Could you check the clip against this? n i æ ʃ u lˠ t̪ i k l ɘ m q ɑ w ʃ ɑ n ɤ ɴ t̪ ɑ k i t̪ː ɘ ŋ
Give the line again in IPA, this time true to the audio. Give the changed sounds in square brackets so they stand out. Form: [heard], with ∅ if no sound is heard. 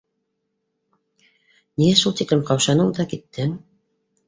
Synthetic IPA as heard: n i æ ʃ u lˠ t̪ i k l ɘ m q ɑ w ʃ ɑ n ɤ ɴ [d̪] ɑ k i t̪ː ɘ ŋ